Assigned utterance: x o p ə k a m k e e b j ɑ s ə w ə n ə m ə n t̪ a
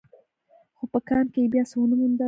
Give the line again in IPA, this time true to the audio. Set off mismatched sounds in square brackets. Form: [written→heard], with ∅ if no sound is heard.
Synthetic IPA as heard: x o p ə k [a→ɑ] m k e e b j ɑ s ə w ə n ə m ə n [t̪→d̪] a